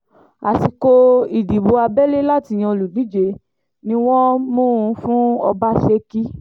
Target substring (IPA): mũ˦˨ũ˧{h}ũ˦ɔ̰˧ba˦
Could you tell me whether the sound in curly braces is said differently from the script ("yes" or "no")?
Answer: yes